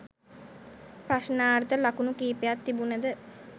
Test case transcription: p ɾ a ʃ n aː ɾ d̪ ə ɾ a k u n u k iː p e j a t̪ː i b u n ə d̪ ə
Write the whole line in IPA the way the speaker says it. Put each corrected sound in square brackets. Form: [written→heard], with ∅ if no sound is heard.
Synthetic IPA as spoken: p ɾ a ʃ n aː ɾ [d̪→t̪] ə [ɾ→l] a k u n u k iː p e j a t̪ː i b u n ə d̪ ə